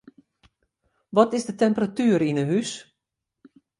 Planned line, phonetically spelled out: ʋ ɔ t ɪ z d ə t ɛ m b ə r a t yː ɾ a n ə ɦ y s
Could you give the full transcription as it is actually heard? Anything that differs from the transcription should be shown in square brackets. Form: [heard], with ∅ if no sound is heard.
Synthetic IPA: ʋ ɔ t ɪ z d ə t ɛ m [p] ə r a t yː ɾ [i] n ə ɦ y s